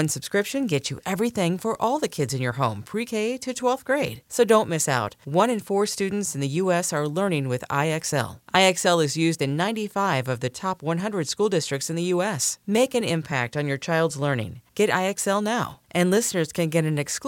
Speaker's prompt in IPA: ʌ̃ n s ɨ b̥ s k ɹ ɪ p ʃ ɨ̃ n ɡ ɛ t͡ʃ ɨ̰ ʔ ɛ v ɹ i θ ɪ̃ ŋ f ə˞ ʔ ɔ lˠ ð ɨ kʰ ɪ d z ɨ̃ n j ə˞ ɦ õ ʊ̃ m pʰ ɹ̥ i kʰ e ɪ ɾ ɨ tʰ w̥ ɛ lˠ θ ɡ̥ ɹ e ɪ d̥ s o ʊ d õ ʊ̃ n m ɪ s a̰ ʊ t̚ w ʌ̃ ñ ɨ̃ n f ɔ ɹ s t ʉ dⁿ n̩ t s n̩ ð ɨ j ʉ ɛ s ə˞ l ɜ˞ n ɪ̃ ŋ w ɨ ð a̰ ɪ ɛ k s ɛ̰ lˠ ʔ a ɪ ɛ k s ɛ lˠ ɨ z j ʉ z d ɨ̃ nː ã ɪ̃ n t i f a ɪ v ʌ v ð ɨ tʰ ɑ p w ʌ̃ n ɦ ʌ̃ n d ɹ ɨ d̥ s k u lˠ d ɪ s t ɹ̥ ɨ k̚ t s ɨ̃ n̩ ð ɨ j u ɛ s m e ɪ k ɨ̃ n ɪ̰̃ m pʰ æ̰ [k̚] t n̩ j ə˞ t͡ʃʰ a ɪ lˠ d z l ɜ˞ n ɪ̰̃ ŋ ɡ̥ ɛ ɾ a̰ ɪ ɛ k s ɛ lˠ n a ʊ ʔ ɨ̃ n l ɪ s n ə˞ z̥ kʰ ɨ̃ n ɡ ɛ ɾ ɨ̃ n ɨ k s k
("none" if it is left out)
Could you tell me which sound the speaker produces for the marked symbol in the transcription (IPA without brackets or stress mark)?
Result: k̚